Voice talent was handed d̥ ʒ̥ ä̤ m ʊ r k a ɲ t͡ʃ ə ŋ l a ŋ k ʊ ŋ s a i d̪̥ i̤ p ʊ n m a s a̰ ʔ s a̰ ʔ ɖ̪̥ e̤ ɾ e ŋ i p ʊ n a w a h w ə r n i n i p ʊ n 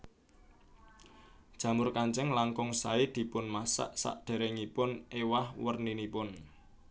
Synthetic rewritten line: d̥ ʒ̥ ä̤ m ʊ r k a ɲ t͡ʃ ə ŋ l a ŋ k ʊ ŋ s a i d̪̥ i̤ p ʊ n m a s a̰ ʔ s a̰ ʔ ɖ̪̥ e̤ ɾ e ŋ i p ʊ n e w a h w ə r n i n i p ʊ n